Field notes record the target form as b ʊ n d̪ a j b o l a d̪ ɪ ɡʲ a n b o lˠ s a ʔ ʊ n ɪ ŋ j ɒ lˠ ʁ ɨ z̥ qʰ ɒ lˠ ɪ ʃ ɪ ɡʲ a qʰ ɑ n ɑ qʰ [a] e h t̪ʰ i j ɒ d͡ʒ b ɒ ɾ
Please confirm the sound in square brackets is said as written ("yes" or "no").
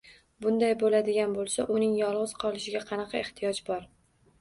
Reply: no